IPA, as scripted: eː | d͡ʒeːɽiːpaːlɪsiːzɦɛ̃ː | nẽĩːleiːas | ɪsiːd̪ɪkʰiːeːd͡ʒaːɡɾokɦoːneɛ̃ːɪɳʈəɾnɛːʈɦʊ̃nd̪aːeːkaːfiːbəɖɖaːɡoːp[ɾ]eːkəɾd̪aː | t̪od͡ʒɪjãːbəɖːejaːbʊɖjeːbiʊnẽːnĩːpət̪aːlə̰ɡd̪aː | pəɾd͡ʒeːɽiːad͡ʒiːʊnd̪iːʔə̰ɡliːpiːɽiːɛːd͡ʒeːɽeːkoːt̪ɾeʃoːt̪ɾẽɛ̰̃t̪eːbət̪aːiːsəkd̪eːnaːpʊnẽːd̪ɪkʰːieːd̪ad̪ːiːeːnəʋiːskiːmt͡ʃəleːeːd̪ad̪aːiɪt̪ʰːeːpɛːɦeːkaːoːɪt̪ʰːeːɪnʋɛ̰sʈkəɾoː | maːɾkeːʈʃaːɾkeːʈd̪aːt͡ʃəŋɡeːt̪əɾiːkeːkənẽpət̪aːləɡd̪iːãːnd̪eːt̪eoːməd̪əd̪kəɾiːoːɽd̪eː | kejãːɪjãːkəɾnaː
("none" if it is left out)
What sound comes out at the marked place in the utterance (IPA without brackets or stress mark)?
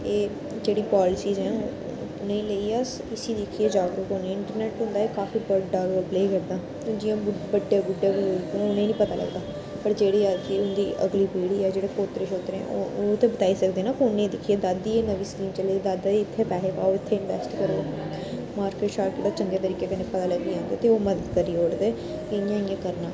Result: l